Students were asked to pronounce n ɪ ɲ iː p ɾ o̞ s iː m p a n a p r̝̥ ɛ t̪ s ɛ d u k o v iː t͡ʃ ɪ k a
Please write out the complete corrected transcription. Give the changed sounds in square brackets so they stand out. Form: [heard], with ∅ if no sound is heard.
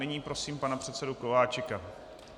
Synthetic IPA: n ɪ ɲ iː p ɾ o̞ s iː m p a n a p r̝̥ ɛ t̪ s ɛ d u k o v [aː] t͡ʃ ɪ k a